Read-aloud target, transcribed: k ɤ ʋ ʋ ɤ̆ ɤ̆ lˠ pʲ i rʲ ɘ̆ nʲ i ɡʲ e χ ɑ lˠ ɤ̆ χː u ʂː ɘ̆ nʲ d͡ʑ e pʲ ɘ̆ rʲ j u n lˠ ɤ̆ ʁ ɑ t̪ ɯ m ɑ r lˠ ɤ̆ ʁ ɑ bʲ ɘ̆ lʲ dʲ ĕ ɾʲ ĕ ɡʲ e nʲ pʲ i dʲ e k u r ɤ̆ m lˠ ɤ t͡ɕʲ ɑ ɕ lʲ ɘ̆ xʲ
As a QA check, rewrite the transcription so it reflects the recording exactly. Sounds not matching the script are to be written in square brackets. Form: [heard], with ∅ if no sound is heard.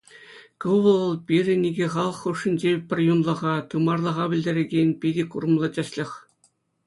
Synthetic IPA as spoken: k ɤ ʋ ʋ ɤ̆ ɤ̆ lˠ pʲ i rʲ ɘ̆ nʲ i ɡʲ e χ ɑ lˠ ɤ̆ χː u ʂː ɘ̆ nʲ d͡ʑ e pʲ ɘ̆ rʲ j u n lˠ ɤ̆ ʁ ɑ t̪ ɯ m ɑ r lˠ ɤ̆ ʁ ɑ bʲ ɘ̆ lʲ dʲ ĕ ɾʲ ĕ ɡʲ e nʲ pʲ i dʲ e k u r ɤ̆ m lˠ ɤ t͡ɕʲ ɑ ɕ lʲ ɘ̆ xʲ